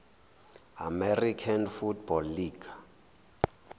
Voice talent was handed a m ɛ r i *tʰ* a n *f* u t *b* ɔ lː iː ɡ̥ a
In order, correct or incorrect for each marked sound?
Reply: incorrect: kʰ, correct, correct

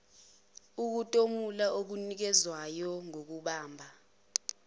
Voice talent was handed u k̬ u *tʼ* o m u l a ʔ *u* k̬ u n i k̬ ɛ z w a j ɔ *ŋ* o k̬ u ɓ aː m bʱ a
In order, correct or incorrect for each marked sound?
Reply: correct, incorrect: o, correct

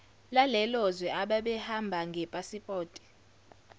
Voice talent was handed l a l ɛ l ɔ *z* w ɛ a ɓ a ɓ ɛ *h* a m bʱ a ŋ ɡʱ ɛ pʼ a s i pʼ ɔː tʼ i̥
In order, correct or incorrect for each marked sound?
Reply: correct, correct

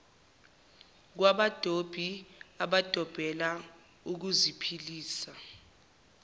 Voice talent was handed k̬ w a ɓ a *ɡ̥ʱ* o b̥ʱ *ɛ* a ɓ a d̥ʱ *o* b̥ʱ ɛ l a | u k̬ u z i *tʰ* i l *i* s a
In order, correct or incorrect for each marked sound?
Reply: incorrect: d̥ʱ, incorrect: i, incorrect: ɔ, incorrect: pʰ, incorrect: iː

